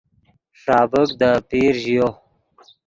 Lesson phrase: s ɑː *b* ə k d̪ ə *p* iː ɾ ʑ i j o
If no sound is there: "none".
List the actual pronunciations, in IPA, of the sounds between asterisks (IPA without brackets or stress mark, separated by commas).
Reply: b, p